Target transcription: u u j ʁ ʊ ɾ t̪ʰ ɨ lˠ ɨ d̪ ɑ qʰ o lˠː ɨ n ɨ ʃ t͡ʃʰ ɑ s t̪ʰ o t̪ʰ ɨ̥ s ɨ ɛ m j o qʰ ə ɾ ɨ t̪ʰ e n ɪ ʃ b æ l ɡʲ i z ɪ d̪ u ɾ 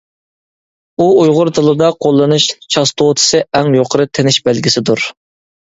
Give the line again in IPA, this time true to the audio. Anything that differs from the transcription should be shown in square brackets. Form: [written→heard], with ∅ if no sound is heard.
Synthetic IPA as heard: u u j ʁ ʊ ɾ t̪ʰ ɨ lˠ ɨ d̪ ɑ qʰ o lˠː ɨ n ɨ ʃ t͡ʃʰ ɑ s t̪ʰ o t̪ʰ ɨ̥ s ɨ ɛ [m→ŋ] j o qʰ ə ɾ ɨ t̪ʰ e n ɪ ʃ b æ l ɡʲ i [z→s] ɪ d̪ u ɾ